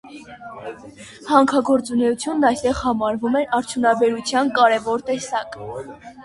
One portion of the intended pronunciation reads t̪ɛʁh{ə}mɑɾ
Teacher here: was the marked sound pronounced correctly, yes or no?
no